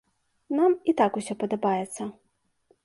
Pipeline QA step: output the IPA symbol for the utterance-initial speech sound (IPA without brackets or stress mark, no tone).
n